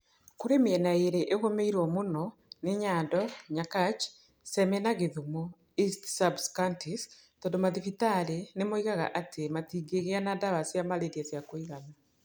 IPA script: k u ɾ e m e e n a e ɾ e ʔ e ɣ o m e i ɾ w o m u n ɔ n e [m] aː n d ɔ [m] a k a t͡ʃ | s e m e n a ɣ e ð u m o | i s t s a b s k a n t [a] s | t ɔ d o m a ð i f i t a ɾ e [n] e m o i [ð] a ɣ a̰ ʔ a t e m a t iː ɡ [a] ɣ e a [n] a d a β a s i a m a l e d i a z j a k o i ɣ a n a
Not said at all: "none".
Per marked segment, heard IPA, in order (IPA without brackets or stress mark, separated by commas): ɲ, ɲ, i, n, ɣ, e, n